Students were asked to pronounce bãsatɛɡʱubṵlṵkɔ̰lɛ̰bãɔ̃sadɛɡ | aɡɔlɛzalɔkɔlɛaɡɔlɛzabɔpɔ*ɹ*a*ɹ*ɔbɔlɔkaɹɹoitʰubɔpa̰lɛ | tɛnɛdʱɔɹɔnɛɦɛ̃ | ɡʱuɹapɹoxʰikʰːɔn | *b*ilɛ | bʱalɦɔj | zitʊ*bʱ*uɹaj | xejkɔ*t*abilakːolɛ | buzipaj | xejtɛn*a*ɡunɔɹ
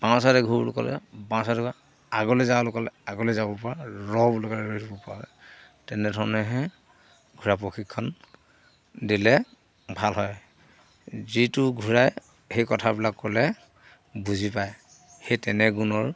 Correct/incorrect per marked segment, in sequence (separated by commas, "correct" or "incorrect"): correct, correct, incorrect, incorrect, incorrect, incorrect